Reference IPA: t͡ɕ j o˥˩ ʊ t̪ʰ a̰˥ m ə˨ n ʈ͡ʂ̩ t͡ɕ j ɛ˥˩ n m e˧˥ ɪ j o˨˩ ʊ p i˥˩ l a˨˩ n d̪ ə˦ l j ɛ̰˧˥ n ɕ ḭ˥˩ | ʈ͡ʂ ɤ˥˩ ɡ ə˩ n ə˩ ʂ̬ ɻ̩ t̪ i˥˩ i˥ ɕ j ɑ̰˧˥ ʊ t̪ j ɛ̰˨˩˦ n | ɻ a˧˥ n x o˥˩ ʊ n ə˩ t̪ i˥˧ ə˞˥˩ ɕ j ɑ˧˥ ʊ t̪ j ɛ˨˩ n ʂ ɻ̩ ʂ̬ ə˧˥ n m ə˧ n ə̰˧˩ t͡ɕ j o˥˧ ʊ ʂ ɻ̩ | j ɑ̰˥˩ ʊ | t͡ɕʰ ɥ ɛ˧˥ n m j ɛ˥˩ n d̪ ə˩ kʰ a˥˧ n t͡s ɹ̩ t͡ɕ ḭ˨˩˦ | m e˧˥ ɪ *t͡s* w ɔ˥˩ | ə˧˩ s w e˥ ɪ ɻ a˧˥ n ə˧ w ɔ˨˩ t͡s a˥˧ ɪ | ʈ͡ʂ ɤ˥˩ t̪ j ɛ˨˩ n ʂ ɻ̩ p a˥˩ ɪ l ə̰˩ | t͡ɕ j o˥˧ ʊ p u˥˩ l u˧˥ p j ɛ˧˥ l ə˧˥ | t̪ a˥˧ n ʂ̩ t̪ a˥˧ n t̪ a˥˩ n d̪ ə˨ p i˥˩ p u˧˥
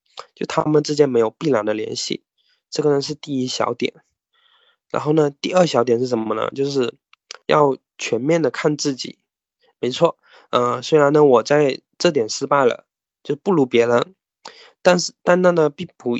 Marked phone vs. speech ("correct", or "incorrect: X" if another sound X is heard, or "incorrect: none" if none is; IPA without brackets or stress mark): incorrect: t͡sʰ